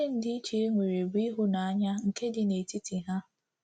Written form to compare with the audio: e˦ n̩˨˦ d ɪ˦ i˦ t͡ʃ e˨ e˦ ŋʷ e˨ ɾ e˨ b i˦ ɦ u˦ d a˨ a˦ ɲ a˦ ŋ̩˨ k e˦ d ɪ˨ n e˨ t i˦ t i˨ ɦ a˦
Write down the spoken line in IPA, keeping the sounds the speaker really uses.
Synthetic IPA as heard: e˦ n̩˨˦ d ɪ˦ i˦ t͡ʃ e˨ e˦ ŋʷ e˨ ɾ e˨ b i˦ ɦ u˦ n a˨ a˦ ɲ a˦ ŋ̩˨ k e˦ d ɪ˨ n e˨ t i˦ t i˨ ɦ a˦